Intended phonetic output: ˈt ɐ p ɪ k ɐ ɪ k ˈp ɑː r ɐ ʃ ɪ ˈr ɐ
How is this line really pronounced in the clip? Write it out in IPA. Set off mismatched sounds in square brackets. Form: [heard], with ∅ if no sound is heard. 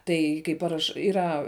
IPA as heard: ˈt ɐ [∅] ɪ k ɐ ɪ [∅] ˈp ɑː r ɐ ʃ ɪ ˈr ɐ